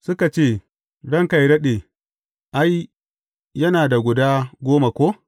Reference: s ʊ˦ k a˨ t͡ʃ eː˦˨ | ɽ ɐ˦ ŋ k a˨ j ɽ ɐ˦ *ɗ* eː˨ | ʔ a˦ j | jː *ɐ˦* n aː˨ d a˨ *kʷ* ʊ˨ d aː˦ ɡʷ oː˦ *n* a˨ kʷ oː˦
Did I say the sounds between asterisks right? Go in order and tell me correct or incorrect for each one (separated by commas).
correct, correct, incorrect, incorrect